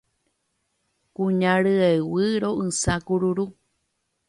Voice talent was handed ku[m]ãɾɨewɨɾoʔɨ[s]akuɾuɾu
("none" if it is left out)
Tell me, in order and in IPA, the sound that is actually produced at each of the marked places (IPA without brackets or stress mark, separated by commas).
ɲ, s